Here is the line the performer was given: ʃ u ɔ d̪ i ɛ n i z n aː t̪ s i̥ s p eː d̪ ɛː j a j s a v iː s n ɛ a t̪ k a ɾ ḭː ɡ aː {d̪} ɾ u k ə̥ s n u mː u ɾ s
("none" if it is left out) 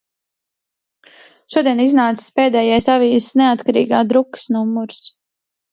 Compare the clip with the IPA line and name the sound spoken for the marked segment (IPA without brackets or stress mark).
d̪